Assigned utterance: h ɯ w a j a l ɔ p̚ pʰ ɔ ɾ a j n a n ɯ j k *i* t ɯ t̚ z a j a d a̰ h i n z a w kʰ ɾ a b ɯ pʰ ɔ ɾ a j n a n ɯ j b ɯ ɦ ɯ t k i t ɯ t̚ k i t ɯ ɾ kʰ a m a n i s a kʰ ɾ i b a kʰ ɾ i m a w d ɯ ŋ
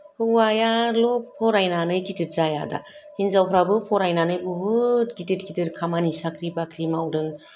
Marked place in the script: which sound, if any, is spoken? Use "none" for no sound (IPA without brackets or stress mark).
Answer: i